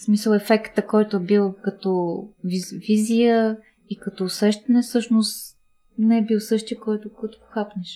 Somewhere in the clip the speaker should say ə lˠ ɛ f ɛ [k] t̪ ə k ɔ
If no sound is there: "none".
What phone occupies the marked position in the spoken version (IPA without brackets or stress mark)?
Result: k